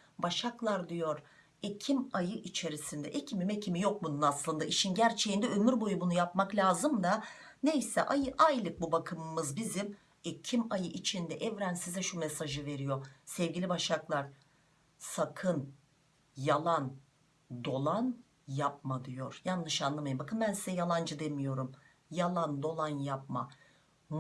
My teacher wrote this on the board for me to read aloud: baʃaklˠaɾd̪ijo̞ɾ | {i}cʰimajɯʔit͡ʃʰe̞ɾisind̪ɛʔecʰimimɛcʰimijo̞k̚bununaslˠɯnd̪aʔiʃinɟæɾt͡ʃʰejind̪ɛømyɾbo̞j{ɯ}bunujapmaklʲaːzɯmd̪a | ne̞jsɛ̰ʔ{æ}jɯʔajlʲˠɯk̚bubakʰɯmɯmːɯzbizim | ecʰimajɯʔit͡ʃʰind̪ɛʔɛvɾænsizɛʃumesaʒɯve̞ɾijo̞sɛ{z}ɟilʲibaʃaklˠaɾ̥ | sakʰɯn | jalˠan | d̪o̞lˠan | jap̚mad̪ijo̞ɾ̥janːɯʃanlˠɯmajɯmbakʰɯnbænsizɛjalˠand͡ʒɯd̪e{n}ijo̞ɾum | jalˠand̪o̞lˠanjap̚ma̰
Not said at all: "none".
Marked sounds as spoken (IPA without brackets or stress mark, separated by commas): e, u, a, v, m